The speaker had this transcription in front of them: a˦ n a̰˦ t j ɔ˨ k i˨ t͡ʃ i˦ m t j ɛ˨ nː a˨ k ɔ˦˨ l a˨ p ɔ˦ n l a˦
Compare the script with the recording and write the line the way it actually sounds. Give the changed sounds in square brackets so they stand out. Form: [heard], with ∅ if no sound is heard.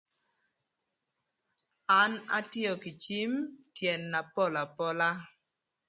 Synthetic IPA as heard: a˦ n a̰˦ t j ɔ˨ k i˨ t͡ʃ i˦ m t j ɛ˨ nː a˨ [p] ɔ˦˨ l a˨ p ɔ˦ [∅] l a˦